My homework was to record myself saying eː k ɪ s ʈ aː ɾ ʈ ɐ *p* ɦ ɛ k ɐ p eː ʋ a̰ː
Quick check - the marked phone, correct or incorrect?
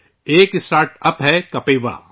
correct